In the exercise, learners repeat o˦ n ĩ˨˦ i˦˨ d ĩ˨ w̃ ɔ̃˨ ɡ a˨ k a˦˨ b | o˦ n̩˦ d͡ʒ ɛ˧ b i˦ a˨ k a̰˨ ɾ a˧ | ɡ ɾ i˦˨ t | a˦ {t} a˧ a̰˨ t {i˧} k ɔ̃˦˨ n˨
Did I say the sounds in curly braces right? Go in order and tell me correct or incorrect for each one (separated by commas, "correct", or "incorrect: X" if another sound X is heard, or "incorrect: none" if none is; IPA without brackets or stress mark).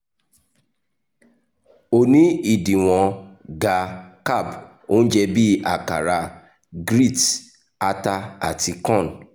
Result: correct, correct